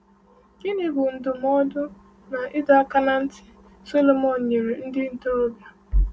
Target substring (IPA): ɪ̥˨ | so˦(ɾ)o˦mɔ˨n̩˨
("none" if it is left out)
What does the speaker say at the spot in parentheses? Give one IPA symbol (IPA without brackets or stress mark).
l